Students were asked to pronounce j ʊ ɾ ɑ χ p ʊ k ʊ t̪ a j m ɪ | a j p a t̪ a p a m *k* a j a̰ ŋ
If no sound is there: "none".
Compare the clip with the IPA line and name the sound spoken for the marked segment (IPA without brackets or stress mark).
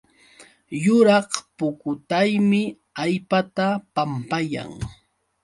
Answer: p